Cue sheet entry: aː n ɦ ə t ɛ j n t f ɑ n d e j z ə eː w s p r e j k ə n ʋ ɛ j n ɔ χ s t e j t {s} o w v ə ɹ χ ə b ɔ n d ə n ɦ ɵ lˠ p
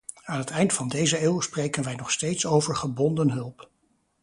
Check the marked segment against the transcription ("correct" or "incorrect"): correct